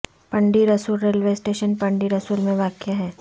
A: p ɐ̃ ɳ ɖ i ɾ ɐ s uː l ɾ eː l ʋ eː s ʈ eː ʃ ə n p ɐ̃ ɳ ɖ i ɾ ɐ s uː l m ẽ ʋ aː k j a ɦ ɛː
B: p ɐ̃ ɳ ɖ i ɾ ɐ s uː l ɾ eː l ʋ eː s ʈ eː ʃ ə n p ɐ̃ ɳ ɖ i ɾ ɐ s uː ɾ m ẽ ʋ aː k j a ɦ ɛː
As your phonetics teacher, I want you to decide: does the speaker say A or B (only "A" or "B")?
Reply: A